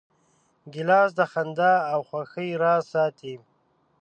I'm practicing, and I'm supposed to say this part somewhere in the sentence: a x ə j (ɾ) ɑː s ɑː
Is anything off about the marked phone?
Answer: no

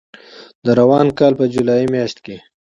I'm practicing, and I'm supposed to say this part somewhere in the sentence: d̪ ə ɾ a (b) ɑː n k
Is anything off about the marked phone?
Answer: yes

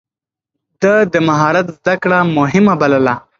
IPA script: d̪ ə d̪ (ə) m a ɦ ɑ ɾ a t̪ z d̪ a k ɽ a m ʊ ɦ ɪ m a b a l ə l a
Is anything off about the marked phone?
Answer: no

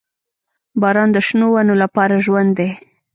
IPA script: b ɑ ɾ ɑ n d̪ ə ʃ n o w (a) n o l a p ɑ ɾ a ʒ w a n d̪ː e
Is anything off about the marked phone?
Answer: no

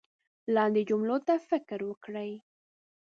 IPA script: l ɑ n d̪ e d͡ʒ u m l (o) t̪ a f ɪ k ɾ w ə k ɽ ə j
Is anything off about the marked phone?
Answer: no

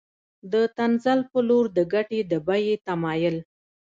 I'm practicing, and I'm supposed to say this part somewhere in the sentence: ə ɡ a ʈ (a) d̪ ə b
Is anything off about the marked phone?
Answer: yes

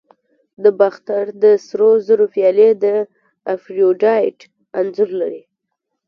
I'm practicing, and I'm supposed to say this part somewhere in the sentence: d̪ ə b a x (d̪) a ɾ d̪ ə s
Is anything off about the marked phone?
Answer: yes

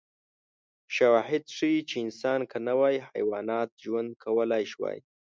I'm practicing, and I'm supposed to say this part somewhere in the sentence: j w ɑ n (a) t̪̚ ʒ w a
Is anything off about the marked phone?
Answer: yes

